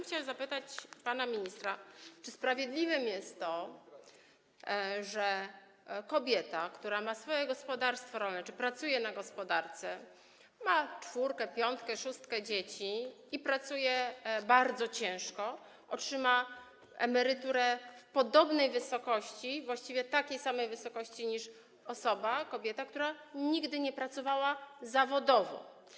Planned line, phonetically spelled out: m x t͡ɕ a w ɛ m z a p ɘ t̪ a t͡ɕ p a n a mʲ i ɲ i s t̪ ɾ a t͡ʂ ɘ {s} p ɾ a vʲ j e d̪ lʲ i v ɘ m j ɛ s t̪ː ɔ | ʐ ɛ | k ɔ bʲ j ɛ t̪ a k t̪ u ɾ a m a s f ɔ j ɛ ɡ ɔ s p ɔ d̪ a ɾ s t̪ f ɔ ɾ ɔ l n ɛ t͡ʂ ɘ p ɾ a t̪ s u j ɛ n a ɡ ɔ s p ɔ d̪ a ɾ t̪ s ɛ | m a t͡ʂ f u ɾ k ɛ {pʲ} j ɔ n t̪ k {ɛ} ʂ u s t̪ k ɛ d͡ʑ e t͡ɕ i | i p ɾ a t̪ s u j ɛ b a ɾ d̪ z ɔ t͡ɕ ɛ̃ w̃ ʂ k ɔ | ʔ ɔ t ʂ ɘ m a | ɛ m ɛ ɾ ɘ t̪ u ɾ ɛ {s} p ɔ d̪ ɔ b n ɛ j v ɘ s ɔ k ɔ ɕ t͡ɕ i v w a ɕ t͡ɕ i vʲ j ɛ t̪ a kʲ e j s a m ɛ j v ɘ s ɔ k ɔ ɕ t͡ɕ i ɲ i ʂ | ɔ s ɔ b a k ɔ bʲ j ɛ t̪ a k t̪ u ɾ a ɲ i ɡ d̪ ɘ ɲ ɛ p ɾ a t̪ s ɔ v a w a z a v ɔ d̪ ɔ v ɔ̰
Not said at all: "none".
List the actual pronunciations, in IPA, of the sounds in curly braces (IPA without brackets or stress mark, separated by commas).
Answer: s, pʲ, ɛ, f